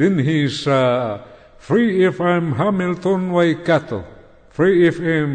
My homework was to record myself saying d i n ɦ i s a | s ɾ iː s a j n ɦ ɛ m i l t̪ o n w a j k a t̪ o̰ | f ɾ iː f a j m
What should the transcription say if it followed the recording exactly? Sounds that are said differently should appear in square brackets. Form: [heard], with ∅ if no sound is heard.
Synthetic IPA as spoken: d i n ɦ i s a | [f] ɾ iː [f] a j [m] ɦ [a] m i l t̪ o n w a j k a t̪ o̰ | f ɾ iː f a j m